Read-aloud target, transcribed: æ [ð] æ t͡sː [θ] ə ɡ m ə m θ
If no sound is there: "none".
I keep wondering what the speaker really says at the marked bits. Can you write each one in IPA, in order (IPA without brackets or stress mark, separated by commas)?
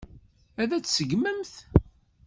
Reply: ð, s